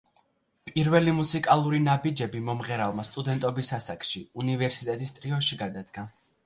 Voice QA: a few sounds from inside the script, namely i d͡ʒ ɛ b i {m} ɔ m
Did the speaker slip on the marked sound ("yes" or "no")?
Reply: no